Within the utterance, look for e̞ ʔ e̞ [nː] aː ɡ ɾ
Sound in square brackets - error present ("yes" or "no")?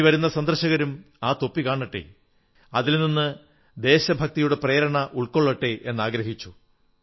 no